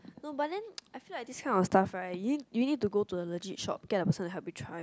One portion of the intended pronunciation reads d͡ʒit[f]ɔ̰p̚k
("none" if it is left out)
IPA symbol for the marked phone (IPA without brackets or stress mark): ʃ